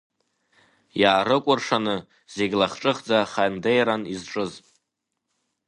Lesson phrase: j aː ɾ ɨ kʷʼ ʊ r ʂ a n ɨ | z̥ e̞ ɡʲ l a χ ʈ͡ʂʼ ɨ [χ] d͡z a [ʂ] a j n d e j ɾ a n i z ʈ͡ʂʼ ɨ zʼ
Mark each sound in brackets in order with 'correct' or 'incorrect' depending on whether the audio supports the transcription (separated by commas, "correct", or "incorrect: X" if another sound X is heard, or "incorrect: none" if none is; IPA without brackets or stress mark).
correct, incorrect: χ